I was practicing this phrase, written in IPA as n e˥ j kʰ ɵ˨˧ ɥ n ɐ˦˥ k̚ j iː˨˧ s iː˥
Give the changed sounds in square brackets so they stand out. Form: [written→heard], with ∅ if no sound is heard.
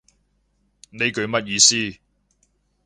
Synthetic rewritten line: n [e˥→e˨˧] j [kʰ→k] ɵ˨˧ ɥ [n→m] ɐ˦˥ [k̚→t̚] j iː˨˧ s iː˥